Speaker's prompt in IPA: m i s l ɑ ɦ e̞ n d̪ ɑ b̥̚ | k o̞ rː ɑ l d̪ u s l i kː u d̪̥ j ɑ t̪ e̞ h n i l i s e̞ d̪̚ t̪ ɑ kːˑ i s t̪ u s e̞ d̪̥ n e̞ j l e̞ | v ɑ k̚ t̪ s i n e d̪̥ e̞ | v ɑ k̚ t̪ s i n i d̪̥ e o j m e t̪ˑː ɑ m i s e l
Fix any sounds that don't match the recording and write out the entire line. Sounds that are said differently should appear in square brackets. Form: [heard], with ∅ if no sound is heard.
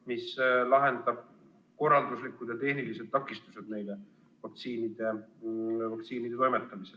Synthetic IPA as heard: m i s l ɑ ɦ e̞ n d̪ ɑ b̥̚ | k o̞ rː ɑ l d̪ u s l i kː u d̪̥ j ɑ t̪ e̞ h n i l i s e̞ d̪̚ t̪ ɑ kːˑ i s t̪ u s e̞ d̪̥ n e̞ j l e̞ | v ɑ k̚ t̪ s [iː] n [i] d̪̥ e̞ | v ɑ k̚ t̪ s [iː] n i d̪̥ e o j m e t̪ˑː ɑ m i s e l